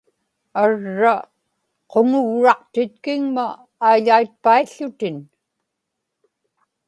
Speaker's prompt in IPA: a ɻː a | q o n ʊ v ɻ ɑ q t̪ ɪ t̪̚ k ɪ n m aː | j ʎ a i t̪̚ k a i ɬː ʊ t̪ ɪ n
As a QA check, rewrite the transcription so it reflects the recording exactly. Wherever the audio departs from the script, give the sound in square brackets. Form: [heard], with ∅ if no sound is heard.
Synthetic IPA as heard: a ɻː a | q o [ŋ] ʊ [ɣ] ɻ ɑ q t̪ ɪ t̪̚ k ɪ [ŋ] m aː | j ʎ a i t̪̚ [p] a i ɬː ʊ t̪ ɪ n